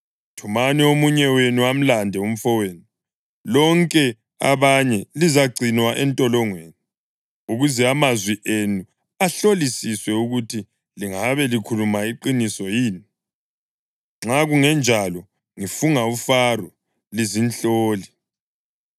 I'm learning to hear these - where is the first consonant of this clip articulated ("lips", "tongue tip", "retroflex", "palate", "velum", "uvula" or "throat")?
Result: tongue tip